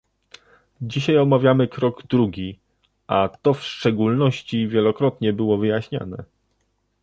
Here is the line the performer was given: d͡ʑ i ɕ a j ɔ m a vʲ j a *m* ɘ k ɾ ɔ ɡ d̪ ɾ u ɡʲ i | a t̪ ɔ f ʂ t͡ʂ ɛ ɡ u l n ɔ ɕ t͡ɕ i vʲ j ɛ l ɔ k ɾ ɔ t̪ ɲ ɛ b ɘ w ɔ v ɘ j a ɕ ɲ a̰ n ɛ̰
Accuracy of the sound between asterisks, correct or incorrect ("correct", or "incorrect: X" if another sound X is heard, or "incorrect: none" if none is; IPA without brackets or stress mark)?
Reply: correct